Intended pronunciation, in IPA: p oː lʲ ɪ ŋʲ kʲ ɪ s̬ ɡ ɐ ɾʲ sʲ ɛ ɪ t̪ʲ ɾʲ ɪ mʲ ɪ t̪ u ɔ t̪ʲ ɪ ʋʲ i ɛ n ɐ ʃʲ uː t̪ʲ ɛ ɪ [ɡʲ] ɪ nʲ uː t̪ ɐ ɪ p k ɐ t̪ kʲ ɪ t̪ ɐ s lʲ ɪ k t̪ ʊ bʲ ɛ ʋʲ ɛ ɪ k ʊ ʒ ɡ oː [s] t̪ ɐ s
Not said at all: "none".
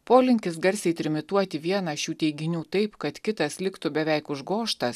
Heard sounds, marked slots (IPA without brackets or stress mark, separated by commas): ɡʲ, ʃ